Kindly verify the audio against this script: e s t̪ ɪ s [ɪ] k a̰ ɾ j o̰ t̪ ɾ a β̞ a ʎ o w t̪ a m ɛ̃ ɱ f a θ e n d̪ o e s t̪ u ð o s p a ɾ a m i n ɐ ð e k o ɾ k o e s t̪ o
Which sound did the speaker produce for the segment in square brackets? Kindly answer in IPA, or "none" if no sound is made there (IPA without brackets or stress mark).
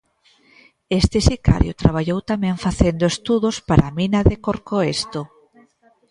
i